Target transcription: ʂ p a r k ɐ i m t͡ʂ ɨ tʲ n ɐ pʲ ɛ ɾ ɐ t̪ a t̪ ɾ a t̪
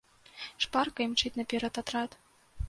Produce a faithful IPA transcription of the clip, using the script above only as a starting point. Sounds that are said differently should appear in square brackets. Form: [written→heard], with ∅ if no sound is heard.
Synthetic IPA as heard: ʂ p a r k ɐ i m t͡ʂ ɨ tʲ n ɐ pʲ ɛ ɾ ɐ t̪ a t̪ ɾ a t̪